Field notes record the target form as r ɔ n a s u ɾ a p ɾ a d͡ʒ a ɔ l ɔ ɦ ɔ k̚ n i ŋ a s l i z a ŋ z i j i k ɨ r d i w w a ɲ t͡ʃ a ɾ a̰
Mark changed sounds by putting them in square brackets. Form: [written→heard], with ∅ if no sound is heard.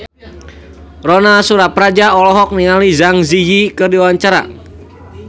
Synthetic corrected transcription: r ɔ n a s u ɾ a p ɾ a d͡ʒ a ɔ l ɔ ɦ ɔ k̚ n i ŋ a [s→∅] l i z a ŋ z i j i k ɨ r d i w w a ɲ t͡ʃ a ɾ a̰